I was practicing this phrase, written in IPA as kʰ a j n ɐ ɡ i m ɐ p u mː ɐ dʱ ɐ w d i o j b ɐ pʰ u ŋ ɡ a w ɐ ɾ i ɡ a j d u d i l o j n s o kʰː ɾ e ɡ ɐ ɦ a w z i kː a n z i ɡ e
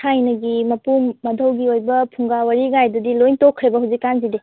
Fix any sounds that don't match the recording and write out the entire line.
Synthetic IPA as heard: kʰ a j n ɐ ɡ i m ɐ p u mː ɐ dʱ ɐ w ɡ i o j b ɐ pʰ u ŋ ɡ a w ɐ ɾ i ɡ a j d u d i l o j n t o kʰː ɾ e b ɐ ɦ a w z i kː a n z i d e